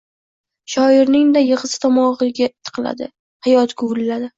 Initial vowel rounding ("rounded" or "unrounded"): rounded